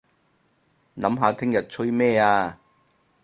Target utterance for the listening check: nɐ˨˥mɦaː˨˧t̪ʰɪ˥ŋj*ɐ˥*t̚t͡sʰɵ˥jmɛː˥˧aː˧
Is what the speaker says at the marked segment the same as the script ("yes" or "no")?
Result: no